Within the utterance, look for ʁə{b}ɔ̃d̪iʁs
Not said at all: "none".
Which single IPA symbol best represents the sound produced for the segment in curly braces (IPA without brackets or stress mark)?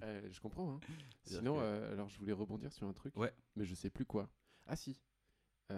b